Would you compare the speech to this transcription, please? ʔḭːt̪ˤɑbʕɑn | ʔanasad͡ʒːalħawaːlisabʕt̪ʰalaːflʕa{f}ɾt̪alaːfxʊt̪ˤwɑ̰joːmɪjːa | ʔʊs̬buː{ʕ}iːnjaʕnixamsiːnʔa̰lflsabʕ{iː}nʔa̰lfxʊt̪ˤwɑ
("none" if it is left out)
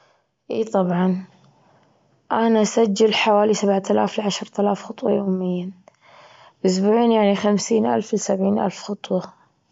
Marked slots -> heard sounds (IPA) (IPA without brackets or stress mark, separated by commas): ʃ, ʕ, iː